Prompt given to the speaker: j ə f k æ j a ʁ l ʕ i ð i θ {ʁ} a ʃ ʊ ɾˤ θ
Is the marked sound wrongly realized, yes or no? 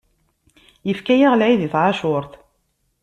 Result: yes